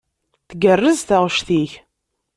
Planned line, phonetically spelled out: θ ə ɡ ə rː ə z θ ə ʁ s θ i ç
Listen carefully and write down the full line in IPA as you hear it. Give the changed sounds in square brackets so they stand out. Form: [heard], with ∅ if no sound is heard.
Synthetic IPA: θ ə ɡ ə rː ə z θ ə ʁ [ʃ] θ i ç